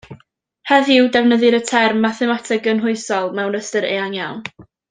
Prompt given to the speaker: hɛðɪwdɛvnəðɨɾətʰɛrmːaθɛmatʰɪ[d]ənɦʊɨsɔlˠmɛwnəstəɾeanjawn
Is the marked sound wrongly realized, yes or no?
yes